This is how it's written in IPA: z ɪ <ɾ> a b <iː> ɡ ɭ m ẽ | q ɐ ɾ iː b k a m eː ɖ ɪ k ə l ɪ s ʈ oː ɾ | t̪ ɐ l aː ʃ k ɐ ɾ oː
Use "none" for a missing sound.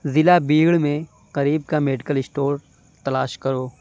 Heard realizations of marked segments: l, iː

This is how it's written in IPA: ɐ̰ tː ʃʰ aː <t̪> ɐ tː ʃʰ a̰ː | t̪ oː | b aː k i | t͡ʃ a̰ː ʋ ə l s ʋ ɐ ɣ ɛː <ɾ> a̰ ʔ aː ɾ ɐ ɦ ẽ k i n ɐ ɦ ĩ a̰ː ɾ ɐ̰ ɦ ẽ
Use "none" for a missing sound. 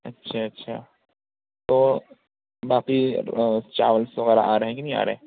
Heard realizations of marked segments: none, ɾ

